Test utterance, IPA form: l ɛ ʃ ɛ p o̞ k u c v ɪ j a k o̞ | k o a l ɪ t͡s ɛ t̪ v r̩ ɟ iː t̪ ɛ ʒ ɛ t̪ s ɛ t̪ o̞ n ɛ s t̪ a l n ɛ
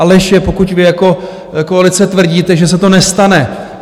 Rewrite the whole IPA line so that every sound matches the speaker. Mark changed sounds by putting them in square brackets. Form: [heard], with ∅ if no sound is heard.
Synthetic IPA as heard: l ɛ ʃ ɛ p o̞ k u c v ɪ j a k o̞ | k o a l ɪ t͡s ɛ t̪ v r̩ ɟ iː t̪ ɛ ʒ ɛ [∅] s ɛ t̪ o̞ n ɛ s t̪ a [∅] n ɛ

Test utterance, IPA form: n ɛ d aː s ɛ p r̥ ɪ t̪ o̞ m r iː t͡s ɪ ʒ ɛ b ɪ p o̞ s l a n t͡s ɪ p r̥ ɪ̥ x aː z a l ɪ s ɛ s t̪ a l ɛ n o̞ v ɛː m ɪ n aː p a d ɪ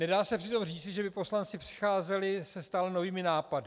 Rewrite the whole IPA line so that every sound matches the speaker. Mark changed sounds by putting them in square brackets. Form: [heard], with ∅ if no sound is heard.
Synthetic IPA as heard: n ɛ d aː s ɛ p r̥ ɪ t̪ o̞ m r iː t͡s ɪ ʒ ɛ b ɪ p o̞ s l a n t͡s ɪ p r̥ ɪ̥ x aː z [ɛ] l ɪ s ɛ s t̪ a l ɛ n o̞ v [iː] m ɪ n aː p a d ɪ

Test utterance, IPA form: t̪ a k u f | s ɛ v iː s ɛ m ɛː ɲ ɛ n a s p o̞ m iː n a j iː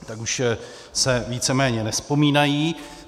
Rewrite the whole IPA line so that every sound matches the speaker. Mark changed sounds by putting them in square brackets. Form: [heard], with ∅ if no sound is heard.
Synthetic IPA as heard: t̪ a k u [ʃ] | s ɛ v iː [t͡s] ɛ m ɛː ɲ ɛ n [ɛ] s p o̞ m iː n a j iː

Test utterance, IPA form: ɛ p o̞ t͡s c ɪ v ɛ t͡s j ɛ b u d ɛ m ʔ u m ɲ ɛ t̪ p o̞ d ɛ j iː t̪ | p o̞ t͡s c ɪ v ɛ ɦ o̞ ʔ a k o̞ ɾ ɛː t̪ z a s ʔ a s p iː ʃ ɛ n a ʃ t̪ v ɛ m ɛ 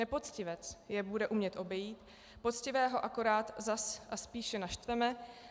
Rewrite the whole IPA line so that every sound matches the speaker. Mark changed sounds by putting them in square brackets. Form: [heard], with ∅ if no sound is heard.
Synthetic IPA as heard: ɛ p o̞ t͡s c ɪ v ɛ t͡s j ɛ b u d ɛ [∅] ʔ u m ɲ ɛ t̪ [ʔ] o̞ [b] ɛ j iː t̪ | p o̞ t͡s c ɪ v [ɛː] ɦ o̞ ʔ a k o̞ ɾ [aː] t̪ z a s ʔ a s p iː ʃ ɛ n a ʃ t̪ v ɛ m ɛ

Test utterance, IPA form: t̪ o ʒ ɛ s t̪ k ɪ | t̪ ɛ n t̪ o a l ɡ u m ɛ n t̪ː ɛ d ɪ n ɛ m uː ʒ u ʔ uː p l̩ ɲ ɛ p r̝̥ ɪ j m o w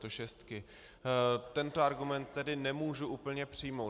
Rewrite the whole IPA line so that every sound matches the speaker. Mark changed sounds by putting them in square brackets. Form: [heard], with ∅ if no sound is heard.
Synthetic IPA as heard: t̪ o [ʃ] ɛ s t̪ k ɪ | t̪ ɛ n t̪ o a [ɾ] ɡ u m ɛ n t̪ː ɛ d ɪ n ɛ m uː ʒ u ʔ uː p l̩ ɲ ɛ p r̝̥ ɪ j m o w

